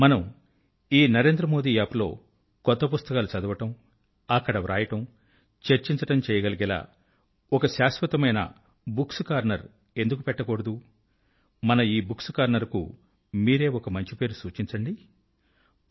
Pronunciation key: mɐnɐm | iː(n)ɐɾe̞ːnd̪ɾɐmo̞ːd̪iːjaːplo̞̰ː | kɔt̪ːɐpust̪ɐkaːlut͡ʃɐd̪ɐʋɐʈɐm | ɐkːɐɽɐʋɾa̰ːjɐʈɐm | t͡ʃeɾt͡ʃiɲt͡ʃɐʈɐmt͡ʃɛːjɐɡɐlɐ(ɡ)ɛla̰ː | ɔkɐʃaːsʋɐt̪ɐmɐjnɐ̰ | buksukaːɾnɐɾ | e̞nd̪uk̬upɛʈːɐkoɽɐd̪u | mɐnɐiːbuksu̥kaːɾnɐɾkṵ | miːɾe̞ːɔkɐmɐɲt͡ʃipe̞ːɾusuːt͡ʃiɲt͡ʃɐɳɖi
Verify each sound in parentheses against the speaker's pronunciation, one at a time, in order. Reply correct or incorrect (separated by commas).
correct, correct